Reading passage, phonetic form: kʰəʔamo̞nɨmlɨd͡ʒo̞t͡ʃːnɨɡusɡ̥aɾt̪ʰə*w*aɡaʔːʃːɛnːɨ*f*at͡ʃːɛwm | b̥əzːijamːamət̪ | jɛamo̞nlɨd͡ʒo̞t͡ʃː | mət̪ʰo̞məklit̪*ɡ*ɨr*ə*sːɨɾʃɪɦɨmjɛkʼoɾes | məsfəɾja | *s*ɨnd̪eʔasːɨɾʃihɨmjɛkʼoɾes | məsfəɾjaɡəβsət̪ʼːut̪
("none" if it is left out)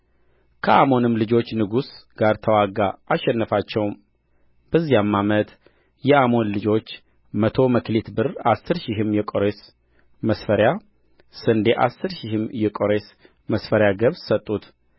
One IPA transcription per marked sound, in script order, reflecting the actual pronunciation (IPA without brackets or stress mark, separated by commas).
w, f, b, a, s